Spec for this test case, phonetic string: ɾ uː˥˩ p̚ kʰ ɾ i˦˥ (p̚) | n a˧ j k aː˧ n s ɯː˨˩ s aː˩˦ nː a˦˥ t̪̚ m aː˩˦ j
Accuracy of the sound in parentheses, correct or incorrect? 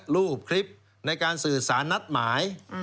correct